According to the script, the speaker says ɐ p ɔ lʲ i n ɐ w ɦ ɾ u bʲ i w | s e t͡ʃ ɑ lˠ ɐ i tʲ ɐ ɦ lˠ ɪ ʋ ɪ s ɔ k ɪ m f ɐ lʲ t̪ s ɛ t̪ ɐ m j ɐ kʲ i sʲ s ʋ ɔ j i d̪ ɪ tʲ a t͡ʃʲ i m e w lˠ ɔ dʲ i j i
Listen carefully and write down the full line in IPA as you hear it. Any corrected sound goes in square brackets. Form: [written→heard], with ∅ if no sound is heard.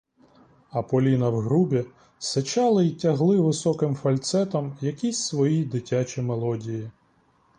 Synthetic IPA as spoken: ɐ p ɔ lʲ i n ɐ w ɦ ɾ u bʲ i [w→∅] | s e t͡ʃ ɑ lˠ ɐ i tʲ ɐ ɦ lˠ ɪ ʋ ɪ s ɔ k ɪ m f ɐ lʲ t̪ s ɛ t̪ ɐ m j ɐ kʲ i sʲ s ʋ ɔ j i d̪ ɪ tʲ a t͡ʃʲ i m e [w→∅] lˠ ɔ dʲ i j i